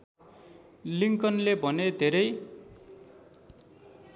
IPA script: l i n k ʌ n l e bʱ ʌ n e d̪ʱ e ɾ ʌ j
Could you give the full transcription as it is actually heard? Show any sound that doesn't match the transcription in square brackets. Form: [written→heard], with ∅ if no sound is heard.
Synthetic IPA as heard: l i [n→ŋ] k ʌ n l e bʱ ʌ n e d̪ʱ e ɾ ʌ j